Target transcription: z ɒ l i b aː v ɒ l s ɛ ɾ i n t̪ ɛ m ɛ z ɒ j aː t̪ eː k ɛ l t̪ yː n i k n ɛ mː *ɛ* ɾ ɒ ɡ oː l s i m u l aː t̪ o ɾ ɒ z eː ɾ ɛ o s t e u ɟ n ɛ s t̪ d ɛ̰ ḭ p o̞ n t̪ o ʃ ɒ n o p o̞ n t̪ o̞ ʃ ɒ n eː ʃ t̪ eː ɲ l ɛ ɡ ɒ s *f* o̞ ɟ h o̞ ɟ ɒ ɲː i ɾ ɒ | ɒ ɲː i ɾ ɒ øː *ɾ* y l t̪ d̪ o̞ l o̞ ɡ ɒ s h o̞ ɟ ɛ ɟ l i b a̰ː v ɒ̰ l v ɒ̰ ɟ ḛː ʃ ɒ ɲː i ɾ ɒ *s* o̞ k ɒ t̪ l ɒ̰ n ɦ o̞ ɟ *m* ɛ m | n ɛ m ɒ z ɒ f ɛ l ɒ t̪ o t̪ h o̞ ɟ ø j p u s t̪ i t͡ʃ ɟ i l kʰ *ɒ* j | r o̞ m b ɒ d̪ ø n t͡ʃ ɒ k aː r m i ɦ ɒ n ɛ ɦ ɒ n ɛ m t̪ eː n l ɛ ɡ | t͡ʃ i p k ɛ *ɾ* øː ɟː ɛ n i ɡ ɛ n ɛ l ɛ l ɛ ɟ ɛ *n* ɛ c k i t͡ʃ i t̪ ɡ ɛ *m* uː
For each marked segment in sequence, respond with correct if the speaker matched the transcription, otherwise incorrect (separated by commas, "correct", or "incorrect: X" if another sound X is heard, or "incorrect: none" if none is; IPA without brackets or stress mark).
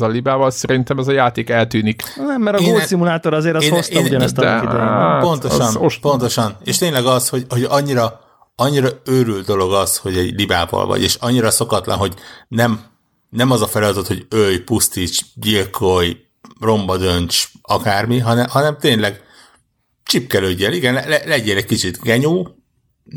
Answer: correct, incorrect: h, correct, correct, incorrect: n, incorrect: o, incorrect: l, correct, incorrect: ɲ